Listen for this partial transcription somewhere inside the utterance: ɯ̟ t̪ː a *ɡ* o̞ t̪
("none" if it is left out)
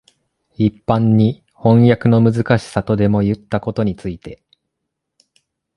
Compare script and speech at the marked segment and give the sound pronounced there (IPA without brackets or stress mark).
k